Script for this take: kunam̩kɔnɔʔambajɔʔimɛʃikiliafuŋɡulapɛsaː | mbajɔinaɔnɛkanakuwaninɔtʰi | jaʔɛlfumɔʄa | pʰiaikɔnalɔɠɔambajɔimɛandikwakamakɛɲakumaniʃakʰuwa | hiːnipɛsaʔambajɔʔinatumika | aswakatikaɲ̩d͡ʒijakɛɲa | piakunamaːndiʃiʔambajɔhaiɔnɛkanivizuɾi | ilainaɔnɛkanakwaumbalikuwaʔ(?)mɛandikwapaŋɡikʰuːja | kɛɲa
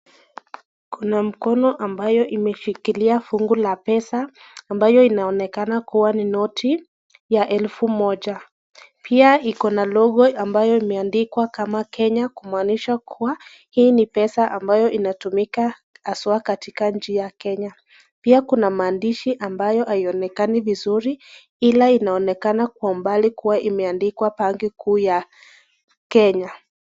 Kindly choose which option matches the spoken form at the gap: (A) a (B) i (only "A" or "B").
B